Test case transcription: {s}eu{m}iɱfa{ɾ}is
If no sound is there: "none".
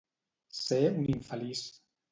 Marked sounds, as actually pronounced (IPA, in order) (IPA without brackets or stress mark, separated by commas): s, n, l